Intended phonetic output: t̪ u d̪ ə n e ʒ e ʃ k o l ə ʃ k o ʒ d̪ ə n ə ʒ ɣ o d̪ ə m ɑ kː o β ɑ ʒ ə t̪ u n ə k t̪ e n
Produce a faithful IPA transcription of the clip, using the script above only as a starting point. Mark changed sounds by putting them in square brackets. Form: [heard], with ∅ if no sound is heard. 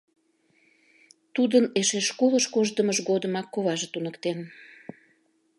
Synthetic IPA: t̪ u d̪ ə n e [ʃ] e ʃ k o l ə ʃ k o ʒ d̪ ə [m] ə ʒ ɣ o d̪ ə m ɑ kː o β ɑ ʒ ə t̪ u n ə k t̪ e n